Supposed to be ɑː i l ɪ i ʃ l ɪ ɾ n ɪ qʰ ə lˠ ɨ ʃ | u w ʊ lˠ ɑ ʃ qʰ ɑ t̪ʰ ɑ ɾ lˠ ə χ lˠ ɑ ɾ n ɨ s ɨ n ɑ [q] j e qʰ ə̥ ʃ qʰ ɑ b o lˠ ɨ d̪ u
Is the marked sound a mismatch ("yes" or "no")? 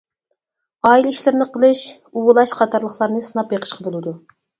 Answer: yes